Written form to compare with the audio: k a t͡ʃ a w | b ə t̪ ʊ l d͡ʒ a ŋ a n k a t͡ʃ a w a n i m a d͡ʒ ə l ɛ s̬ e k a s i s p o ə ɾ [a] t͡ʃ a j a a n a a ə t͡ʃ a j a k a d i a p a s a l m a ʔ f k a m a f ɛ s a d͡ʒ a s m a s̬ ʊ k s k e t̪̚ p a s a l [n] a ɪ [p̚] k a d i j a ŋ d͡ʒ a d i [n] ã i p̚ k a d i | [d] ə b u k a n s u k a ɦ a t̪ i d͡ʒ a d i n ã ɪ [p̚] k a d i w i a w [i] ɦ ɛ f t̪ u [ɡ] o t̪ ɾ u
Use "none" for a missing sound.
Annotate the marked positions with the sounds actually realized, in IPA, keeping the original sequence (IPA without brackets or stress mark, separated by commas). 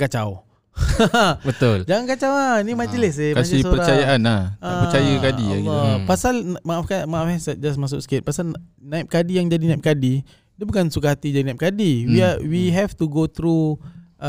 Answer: a, n, p̚, n, d, p̚, i, ɡ